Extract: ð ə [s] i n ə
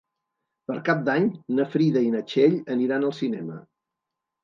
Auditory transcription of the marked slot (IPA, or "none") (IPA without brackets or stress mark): none